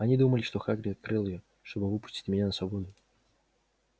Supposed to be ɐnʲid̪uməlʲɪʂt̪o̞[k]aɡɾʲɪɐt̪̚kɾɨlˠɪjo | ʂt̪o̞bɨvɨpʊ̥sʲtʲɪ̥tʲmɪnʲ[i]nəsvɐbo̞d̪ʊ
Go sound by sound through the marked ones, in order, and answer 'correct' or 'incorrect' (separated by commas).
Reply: incorrect, incorrect